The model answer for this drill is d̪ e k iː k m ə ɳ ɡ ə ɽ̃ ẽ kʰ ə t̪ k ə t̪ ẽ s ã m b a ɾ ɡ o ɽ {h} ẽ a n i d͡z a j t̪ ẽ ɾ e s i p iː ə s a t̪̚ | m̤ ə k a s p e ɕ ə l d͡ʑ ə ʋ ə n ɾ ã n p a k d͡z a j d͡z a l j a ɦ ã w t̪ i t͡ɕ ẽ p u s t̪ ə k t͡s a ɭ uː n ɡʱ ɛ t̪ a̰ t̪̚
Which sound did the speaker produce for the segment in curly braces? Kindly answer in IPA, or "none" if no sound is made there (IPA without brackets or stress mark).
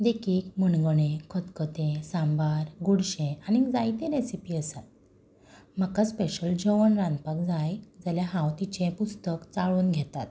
ɕ